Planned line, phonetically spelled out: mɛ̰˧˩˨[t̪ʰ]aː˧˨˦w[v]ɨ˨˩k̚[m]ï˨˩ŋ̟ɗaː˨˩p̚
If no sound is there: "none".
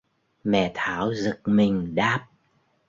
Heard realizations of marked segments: t̪ʰ, z, m

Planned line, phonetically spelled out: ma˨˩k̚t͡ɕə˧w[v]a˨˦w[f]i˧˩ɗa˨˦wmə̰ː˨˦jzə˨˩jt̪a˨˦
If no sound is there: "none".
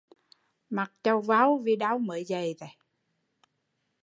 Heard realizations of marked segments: v, v

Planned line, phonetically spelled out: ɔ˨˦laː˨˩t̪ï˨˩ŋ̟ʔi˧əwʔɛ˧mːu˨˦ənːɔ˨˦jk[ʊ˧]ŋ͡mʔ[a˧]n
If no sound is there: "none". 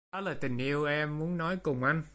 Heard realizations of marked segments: ʊ˨˩, a˧

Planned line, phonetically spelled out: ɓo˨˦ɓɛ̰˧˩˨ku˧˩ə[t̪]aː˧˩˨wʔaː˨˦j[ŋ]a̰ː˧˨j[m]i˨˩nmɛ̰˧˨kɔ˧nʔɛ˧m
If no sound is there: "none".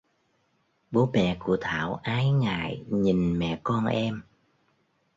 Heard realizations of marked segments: t̪ʰ, ŋ, ɲ

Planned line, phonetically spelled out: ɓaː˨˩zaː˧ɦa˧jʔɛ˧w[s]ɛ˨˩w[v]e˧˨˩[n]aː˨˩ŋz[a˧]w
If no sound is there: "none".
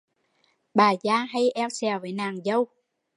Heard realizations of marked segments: s, v, n, ə˧

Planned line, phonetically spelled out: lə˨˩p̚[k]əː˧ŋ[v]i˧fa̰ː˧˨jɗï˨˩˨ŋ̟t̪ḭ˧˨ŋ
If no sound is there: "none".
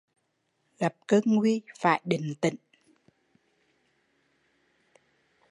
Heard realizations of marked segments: k, w

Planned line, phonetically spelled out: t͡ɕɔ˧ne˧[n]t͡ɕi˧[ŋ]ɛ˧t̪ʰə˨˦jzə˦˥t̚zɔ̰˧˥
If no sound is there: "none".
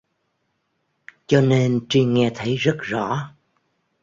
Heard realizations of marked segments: n, ŋ

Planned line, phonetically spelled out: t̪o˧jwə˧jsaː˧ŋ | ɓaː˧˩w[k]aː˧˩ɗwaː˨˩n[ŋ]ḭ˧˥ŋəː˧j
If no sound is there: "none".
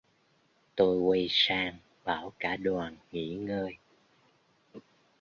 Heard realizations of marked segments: k, ŋ

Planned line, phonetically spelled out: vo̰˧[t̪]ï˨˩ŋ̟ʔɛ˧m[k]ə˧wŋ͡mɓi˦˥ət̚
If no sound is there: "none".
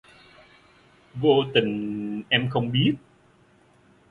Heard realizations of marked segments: t̪, x

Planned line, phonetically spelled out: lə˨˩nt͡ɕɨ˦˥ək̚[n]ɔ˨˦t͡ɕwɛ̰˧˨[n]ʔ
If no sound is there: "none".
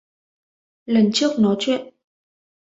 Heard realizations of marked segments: n, n

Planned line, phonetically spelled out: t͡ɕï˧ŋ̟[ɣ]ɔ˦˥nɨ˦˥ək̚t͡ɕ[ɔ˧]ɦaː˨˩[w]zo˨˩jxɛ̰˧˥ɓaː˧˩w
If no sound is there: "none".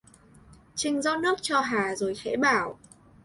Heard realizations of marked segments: z, ɔ˧, none

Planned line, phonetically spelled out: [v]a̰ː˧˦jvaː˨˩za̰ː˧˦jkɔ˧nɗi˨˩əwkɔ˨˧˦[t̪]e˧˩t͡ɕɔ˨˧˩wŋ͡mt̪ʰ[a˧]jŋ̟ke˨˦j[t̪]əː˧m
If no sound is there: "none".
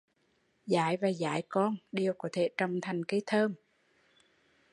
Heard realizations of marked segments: z, t̪ʰ, a˨˩, t̪ʰ

